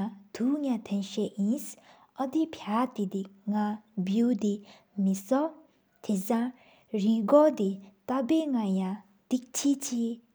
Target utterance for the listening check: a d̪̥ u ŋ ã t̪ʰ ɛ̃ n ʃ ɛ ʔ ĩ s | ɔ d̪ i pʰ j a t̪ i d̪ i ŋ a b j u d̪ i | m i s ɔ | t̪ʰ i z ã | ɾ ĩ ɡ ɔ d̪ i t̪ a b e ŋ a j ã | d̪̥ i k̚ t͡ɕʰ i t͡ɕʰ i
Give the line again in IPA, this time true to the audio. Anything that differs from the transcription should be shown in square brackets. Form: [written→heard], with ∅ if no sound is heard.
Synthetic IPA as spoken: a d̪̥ u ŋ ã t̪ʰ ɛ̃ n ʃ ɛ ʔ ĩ s | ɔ d̪ i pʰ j a t̪ i d̪ i ŋ a b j u d̪ i | m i s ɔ | t̪ʰ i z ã | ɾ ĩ ɡ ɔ d̪ i t̪ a b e ŋ a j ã | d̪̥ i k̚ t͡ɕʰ i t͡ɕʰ i